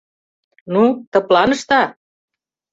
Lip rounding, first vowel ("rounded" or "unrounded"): rounded